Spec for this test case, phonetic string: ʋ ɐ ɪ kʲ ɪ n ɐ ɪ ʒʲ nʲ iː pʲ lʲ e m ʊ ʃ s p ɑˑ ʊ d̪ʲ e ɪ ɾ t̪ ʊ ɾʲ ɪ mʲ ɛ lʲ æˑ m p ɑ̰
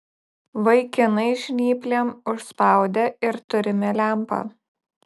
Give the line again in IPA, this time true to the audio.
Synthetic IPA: ʋ ɐ ɪ kʲ ɪ n ɐ ɪ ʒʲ nʲ iː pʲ lʲ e m ʊ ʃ s p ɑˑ ʊ d̪ʲ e ɪ ɾ t̪ ʊ ɾʲ ɪ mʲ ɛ lʲ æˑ m p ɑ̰